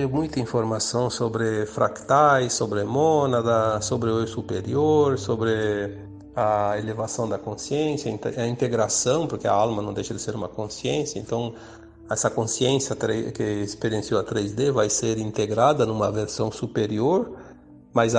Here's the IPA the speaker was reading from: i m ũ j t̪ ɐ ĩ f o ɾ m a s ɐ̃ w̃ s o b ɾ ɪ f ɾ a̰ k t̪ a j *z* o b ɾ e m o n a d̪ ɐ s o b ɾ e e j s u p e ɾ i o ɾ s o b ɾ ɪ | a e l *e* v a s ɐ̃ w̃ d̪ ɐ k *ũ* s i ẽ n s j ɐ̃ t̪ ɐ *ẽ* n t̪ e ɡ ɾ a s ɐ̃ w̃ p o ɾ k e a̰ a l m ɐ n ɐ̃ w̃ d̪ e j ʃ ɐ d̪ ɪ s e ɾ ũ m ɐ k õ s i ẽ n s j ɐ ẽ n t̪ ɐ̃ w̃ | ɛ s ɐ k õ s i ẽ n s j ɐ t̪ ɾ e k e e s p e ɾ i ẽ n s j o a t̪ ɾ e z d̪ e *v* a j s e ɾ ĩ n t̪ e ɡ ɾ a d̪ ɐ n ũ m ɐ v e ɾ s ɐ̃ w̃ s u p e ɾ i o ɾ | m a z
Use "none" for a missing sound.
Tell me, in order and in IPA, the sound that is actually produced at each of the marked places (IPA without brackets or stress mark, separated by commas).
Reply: s, e, õ, ĩ, v